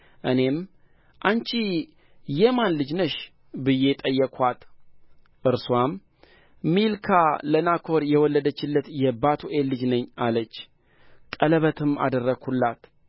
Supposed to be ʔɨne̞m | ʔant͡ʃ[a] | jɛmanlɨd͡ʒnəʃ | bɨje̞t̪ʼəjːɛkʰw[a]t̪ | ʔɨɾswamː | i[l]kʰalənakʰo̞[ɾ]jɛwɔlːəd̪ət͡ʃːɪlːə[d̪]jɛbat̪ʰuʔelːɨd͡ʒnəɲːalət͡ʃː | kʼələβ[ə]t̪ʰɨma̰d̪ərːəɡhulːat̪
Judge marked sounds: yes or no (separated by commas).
no, yes, yes, yes, no, yes